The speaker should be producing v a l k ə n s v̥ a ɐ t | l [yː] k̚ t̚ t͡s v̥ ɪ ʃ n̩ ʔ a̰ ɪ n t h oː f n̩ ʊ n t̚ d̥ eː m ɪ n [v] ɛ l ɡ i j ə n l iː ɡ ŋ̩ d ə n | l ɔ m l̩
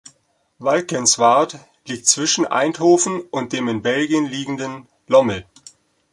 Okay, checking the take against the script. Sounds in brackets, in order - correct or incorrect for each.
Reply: incorrect: iː, incorrect: b

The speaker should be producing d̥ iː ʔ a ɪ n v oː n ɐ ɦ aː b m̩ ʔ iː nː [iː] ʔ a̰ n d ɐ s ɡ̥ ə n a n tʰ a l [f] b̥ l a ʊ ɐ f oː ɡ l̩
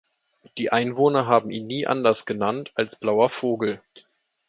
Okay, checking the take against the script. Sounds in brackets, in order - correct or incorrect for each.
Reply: correct, incorrect: s

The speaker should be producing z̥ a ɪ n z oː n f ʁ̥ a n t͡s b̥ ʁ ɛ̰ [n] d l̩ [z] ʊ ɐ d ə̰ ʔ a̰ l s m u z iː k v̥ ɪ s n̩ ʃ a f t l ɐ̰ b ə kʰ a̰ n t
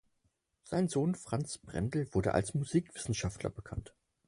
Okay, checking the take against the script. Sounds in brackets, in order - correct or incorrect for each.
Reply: correct, incorrect: v

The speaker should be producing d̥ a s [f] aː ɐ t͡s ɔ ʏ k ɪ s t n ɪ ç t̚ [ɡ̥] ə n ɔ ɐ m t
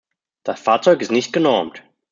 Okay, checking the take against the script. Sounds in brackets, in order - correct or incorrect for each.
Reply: correct, correct

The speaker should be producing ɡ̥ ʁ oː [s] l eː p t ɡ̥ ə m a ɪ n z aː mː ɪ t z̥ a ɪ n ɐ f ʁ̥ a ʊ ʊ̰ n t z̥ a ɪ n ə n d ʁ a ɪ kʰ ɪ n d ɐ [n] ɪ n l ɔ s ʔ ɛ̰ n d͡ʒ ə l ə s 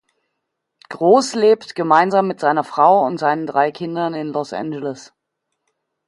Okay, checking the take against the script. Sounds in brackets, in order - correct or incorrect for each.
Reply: correct, correct

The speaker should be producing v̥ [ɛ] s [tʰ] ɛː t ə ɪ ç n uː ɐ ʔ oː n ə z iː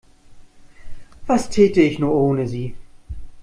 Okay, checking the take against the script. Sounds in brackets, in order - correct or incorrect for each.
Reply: incorrect: a, correct

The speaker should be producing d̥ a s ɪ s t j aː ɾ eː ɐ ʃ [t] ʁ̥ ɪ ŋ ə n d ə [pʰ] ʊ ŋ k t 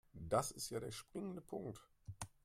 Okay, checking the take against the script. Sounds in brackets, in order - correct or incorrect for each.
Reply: incorrect: p, correct

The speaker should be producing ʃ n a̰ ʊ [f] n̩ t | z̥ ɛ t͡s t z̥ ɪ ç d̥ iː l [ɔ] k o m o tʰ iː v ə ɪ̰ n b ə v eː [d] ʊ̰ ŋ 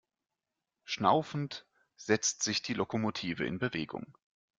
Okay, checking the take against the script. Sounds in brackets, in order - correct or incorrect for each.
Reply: correct, incorrect: o, incorrect: ɡ

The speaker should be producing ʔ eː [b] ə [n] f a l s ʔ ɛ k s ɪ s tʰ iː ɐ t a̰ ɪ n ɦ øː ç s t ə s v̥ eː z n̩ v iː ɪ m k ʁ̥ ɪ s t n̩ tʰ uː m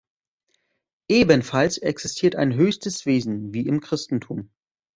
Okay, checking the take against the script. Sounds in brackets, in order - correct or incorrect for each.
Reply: correct, correct

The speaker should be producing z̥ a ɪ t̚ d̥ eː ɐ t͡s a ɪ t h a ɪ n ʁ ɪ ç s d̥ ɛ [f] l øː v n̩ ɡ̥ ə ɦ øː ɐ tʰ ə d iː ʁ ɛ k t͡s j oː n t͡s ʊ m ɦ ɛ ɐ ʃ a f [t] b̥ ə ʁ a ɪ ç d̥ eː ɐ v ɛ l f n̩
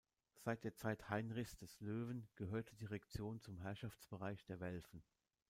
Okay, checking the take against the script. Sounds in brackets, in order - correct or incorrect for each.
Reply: incorrect: s, incorrect: t͡s

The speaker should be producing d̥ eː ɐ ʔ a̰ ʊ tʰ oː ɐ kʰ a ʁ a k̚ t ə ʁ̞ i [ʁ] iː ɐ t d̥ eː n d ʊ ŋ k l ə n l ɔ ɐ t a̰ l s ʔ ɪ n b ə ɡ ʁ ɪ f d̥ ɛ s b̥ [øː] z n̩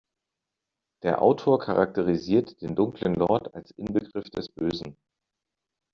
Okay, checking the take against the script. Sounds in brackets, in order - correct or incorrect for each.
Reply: incorrect: z, correct

